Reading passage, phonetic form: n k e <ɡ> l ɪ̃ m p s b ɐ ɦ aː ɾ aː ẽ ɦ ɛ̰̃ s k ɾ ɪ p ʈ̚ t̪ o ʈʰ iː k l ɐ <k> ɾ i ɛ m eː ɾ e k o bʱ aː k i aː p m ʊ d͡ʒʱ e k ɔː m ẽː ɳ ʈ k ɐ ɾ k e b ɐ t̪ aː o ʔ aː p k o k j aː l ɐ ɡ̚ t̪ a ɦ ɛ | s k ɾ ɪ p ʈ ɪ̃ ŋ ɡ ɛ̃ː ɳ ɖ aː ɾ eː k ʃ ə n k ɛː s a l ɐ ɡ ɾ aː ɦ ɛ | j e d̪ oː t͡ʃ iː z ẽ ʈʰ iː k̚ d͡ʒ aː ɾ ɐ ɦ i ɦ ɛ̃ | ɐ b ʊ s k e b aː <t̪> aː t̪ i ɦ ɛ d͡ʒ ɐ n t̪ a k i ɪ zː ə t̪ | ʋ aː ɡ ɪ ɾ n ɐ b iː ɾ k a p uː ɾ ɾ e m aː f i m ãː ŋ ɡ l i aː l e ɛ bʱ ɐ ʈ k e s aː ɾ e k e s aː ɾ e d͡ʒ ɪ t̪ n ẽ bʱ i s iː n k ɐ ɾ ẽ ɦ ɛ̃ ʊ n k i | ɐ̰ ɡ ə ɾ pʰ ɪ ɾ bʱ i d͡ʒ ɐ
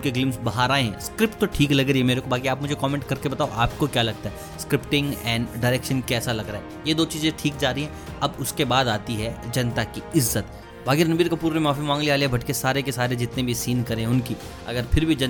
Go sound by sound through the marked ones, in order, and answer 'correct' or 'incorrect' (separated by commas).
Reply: correct, incorrect, incorrect